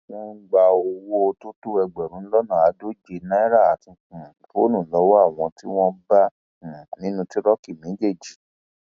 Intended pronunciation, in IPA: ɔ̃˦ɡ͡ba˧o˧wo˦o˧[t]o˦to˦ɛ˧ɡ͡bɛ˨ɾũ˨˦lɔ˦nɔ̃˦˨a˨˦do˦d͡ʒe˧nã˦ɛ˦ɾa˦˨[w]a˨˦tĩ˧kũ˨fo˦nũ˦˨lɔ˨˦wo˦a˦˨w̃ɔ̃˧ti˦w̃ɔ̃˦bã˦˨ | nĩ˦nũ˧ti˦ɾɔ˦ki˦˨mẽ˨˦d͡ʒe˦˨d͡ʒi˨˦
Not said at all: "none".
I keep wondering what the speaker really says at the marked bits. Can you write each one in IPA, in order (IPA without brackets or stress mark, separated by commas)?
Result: t, none